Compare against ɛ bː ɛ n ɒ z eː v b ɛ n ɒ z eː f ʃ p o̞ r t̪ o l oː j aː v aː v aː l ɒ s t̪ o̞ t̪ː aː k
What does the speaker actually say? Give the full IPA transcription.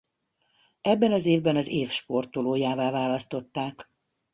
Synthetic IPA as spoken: ɛ bː ɛ n ɒ z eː v b ɛ n ɒ z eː f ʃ p o̞ r t̪ o l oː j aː v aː v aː l ɒ s t̪ o̞ t̪ː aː k